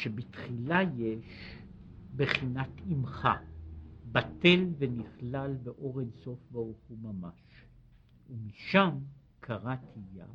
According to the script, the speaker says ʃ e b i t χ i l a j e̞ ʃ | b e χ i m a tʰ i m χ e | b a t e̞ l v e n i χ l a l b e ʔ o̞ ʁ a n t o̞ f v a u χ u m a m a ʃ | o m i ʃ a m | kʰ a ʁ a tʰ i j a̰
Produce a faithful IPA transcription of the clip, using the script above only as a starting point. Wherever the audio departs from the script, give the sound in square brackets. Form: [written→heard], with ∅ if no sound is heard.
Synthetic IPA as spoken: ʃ e b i t χ i l a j e̞ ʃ | b e χ i [m→n] a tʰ i m χ [e→a] | b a t e̞ l v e n i χ l a l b e ʔ o̞ ʁ [a→e] n [t→s] o̞ f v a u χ u m a m a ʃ | [o→u] m i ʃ a m | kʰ a ʁ a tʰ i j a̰